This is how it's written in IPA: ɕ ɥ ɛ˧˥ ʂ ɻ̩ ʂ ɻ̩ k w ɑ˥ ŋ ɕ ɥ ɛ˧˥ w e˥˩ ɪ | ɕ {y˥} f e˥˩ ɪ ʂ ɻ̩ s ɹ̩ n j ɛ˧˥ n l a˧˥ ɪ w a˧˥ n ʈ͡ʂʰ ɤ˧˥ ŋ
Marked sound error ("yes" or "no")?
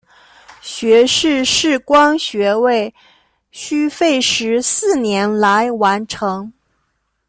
no